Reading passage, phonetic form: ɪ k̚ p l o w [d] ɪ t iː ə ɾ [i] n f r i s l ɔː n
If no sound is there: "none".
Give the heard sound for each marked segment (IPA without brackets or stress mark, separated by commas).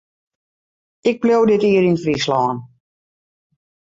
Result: d, i